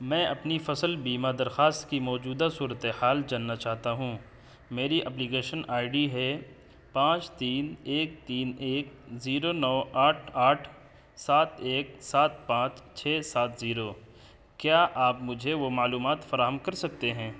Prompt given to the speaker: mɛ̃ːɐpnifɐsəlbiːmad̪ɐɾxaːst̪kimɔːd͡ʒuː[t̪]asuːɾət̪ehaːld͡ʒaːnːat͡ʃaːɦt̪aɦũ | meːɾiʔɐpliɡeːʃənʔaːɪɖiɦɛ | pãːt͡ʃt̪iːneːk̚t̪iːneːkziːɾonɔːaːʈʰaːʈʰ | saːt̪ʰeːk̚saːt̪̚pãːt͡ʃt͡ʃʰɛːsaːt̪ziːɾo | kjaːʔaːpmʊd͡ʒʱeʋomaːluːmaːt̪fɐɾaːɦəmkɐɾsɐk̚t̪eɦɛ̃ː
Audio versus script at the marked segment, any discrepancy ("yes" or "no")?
yes